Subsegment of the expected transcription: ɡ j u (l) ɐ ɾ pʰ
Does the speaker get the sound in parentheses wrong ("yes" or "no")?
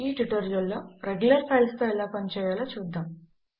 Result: no